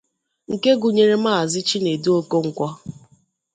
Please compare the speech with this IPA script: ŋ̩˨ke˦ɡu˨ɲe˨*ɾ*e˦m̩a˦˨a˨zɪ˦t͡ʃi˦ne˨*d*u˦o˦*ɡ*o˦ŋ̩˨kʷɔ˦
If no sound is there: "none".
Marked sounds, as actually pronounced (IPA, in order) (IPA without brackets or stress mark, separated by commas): ɾ, d, k